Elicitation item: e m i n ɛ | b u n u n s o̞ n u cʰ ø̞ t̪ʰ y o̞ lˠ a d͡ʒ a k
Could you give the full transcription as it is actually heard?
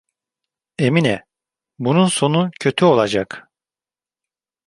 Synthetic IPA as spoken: e m i n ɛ | b u n u n s o̞ n u cʰ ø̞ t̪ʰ y o̞ lˠ a d͡ʒ a k